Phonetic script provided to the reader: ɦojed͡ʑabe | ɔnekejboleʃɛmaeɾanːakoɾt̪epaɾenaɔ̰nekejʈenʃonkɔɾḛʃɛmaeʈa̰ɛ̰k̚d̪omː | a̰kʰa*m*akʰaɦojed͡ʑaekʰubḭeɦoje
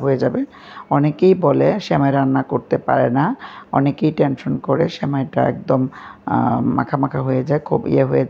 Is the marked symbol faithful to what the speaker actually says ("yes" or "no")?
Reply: yes